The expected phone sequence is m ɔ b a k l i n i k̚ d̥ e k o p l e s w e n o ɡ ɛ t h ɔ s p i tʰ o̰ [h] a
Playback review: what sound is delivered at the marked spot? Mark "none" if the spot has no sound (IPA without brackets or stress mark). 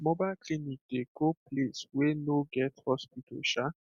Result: ʃ